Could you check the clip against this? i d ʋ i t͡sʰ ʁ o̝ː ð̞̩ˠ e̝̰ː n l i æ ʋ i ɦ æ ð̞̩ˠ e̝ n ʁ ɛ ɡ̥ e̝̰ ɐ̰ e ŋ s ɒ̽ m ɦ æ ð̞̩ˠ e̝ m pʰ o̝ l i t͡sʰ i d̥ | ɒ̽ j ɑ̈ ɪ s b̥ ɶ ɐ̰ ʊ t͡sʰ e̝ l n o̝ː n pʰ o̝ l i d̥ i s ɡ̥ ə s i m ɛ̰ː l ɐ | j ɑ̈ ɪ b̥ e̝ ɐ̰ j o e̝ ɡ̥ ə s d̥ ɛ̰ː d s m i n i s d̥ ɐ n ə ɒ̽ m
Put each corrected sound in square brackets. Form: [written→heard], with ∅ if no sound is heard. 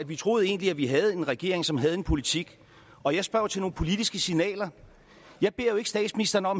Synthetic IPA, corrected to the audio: [i→æ] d ʋ i t͡sʰ ʁ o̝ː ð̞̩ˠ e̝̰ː n l i æ ʋ i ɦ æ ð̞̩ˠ e̝ n ʁ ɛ ɡ̥ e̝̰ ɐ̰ e ŋ s ɒ̽ m ɦ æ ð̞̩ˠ e̝ [m→n] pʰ o̝ l i t͡sʰ i [d̥→ɡ̥] | ɒ̽ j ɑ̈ ɪ s b̥ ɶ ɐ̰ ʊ t͡sʰ e̝ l n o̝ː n pʰ o̝ l i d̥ i s ɡ̥ ə s i [m→n] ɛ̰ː l ɐ | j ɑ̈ ɪ b̥ e̝ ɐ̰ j o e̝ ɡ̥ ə s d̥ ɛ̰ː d s m i n i s d̥ ɐ n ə ɒ̽ m